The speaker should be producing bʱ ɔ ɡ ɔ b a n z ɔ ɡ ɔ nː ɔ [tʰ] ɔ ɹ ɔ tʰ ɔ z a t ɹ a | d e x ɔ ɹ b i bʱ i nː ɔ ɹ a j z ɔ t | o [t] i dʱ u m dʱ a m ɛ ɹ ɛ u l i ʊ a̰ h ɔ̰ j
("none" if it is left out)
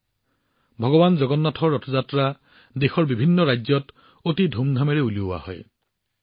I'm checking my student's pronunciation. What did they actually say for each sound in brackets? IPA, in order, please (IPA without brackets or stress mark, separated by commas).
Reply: tʰ, t